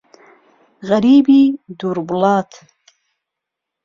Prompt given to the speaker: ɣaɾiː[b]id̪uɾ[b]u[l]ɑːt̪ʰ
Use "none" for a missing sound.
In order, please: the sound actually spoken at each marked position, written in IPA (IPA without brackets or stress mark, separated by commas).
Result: b, b, l